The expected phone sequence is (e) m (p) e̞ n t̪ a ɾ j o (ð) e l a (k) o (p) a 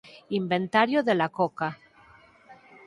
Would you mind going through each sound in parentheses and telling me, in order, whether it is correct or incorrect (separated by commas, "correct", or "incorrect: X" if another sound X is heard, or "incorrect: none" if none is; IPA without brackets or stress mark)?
incorrect: i, incorrect: b, correct, correct, incorrect: k